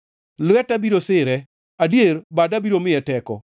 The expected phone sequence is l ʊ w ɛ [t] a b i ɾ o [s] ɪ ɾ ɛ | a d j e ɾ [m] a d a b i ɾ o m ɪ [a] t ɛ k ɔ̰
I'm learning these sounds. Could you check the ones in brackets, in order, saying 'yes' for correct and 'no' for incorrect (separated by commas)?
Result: yes, yes, no, no